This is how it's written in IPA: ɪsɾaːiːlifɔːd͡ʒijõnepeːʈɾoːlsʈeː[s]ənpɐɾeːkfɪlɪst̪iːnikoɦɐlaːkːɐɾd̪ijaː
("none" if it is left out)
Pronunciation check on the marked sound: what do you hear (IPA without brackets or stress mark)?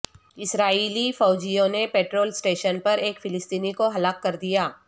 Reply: ʃ